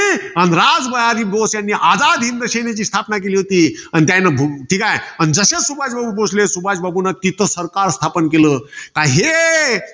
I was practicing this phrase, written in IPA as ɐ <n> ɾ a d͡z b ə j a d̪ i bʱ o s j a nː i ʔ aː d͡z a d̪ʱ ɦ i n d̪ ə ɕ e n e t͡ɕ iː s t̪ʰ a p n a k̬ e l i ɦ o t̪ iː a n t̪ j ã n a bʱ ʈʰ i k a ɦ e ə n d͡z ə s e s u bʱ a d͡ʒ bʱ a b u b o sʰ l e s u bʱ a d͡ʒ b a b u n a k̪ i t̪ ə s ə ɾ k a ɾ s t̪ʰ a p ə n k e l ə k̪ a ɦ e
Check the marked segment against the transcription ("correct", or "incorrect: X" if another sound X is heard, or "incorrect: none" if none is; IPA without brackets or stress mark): correct